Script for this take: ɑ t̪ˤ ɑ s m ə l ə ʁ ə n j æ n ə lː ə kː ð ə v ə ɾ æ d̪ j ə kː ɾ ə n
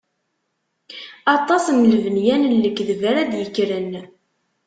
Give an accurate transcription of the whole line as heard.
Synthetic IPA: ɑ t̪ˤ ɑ s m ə l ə v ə n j æ n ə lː ə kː ð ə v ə ɾ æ d̪ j ə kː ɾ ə n